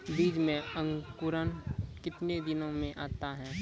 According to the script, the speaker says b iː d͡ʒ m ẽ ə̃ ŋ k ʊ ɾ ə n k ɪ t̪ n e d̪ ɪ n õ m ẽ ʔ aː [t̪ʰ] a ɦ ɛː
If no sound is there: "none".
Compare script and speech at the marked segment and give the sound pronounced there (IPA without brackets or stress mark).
t̪